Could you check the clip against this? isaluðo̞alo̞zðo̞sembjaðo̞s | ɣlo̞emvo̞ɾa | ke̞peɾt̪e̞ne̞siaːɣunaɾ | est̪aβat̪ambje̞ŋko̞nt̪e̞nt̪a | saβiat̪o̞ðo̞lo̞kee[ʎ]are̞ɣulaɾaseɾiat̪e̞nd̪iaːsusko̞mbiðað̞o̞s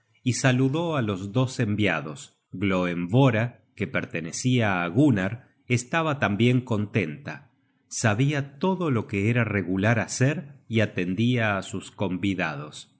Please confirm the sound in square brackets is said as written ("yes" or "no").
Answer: no